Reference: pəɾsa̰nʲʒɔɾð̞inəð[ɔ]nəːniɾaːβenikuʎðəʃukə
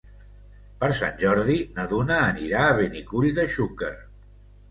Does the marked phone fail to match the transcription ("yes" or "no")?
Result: yes